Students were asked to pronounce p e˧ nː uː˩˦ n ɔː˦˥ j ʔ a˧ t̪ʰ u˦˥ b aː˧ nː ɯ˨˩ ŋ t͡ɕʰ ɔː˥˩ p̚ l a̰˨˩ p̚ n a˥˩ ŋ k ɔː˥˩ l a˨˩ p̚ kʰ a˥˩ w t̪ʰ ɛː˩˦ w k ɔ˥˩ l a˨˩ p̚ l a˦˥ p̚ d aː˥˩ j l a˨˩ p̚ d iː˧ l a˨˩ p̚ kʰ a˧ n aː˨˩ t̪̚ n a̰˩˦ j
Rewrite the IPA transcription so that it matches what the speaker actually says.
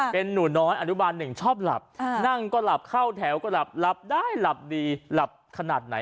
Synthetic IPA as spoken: p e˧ nː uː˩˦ n ɔː˦˥ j ʔ a˧ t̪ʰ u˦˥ b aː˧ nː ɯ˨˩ ŋ t͡ɕʰ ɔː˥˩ p̚ l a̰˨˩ p̚ n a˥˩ ŋ k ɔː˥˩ l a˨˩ p̚ kʰ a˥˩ w t̪ʰ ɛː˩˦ w k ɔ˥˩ l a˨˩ p̚ l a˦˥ p̚ d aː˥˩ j l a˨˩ p̚ d iː˧ l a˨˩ p̚ kʰ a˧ n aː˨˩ t̪̚ n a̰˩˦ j

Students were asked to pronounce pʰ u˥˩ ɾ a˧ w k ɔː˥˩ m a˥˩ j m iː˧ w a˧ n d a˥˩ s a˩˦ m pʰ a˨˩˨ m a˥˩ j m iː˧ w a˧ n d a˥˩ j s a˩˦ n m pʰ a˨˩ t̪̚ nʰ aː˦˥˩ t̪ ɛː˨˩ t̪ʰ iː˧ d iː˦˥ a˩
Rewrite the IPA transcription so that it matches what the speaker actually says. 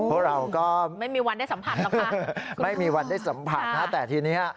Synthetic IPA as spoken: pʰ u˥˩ ɾ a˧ w k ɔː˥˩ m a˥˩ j m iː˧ w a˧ n d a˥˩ s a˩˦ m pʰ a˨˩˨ m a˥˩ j m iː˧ w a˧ n d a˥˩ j s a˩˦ m pʰ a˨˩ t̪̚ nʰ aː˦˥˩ t̪ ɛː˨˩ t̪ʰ iː˧ n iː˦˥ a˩

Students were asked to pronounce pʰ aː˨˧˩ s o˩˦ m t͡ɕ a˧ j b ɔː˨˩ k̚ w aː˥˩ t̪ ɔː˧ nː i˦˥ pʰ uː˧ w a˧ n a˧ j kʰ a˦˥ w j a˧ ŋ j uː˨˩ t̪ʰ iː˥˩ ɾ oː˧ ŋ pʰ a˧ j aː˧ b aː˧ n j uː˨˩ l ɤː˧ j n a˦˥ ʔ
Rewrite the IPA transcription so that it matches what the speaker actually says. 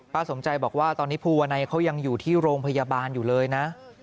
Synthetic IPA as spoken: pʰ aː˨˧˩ s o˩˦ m t͡ɕ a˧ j b ɔː˨˩ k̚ w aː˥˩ t̪ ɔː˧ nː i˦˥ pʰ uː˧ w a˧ n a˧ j kʰ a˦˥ w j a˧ ŋ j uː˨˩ t̪ʰ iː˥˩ ɾ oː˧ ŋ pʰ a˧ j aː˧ b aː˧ n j uː˨˩ l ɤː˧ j n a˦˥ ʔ

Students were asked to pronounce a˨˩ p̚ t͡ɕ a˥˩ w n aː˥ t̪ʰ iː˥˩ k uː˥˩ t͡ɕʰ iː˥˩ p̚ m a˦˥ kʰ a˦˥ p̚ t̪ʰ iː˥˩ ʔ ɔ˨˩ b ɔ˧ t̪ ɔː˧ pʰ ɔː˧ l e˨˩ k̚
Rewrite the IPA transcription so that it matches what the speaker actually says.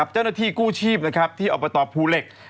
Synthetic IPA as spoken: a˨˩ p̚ t͡ɕ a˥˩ w n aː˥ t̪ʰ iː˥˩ k uː˥˩ t͡ɕʰ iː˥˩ p̚ n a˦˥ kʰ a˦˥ p̚ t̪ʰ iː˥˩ ʔ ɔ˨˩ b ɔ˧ t̪ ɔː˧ pʰ uː˧ l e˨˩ k̚

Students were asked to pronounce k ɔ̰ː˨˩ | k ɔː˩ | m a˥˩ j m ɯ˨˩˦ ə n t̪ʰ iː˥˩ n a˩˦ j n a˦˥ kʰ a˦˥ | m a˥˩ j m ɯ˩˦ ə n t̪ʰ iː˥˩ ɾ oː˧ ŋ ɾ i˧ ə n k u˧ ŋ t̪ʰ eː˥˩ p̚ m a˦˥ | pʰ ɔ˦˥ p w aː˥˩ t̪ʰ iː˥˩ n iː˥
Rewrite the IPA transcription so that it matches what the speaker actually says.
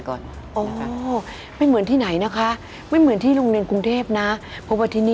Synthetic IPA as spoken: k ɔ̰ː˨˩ | ʔ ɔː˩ | m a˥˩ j m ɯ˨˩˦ ə n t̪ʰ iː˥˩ n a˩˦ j n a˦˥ kʰ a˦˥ | m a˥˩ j m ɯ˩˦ ə n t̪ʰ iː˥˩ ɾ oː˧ ŋ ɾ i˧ ə n k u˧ ŋ t̪ʰ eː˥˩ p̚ n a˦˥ | pʰ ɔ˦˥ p w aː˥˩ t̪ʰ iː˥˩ n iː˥

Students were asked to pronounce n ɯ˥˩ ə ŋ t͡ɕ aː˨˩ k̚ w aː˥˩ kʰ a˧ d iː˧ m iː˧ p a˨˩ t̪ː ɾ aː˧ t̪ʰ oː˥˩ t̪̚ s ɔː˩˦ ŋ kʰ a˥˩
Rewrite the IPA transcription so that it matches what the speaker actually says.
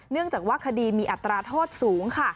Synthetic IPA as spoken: n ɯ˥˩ ə ŋ t͡ɕ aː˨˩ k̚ w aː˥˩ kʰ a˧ d iː˧ m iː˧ ʔ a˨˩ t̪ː ɾ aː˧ t̪ʰ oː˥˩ t̪̚ s uː˩˦ ŋ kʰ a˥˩

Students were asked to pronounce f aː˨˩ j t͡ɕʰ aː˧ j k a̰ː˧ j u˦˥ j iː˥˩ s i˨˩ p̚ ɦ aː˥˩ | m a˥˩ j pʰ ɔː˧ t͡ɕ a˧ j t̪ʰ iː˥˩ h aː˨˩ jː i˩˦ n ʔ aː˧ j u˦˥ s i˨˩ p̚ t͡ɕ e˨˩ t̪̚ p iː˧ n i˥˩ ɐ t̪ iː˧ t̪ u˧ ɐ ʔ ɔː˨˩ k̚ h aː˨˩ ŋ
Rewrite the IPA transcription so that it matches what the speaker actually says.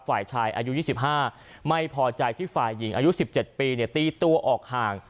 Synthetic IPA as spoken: f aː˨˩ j t͡ɕʰ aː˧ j ʔ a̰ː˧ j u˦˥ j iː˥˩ s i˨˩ p̚ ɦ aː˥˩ | m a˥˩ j pʰ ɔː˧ t͡ɕ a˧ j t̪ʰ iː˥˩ f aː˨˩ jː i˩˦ ŋ ʔ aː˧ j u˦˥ s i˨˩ p̚ t͡ɕ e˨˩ t̪̚ p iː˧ n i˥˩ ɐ t̪ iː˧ t̪ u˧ ɐ ʔ ɔː˨˩ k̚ h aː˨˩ ŋ

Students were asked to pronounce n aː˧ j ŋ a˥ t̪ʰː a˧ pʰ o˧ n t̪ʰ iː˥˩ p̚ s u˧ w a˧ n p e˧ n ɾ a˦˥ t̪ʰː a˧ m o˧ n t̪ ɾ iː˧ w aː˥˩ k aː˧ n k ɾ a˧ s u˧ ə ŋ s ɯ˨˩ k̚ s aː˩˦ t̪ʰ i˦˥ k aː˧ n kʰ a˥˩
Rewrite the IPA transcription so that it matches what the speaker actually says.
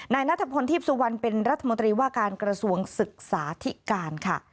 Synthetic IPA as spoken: n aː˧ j n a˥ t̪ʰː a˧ pʰ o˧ n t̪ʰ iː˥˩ p̚ s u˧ w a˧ n p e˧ n ɾ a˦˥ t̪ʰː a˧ m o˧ n t̪ ɾ iː˧ w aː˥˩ k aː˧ n k ɾ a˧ s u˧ ə ŋ s ɯ˨˩ k̚ s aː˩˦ t̪ʰ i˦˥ k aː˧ n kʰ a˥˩

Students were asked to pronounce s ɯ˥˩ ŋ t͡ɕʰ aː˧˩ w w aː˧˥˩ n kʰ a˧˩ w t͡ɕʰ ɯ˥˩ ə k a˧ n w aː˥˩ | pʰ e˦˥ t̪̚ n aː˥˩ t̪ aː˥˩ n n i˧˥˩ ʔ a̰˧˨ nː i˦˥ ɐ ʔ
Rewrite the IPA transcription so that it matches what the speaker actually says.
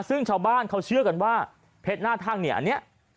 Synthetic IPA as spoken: s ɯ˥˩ ŋ t͡ɕʰ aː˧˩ w b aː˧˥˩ n kʰ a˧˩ w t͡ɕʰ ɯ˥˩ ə k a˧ n w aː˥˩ | pʰ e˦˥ t̪̚ n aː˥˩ t̪ʰ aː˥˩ ŋ n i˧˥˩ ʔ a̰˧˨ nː i˦˥ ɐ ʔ

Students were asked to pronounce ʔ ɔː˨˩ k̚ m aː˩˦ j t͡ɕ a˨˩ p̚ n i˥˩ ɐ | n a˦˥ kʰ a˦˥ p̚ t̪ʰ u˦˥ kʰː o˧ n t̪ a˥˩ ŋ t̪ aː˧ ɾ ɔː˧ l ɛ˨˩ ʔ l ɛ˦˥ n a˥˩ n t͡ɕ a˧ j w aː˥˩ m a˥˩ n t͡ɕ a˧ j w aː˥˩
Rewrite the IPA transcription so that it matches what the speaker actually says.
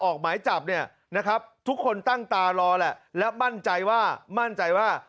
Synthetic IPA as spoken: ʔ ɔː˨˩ k̚ m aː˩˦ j t͡ɕ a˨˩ p̚ n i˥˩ ɐ | n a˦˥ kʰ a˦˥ p̚ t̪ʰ u˦˥ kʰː o˧ n t̪ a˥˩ ŋ t̪ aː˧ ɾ ɔː˧ l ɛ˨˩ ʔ l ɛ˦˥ m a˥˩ n t͡ɕ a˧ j w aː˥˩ m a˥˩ n t͡ɕ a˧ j w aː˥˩

